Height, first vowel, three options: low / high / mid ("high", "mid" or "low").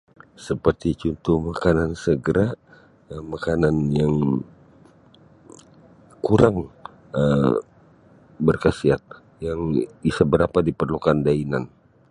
mid